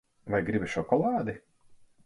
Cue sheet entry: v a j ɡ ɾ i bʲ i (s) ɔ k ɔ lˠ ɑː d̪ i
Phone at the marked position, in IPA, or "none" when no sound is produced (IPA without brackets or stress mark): ʃ